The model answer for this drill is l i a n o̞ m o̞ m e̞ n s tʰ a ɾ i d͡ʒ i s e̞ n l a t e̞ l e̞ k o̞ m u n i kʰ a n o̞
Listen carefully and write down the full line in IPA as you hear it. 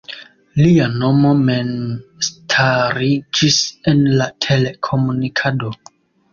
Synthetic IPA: l i a n o̞ m o̞ m e̞ n s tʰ a ɾ i d͡ʒ i s e̞ n l a tʰ e̞ l e̞ kʰ o̞ m u n i kʰ a d o̞